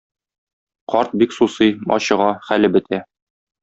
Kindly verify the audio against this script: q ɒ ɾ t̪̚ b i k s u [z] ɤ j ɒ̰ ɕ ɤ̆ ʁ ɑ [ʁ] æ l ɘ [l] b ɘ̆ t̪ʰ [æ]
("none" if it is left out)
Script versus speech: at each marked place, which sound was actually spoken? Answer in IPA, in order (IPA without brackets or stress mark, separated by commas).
s, χ, none, æ